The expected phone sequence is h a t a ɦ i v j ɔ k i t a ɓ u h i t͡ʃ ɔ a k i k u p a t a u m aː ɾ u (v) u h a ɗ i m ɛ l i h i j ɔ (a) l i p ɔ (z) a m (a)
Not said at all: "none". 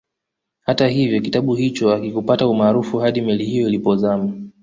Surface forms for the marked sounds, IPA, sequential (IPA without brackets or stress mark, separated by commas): f, i, z, a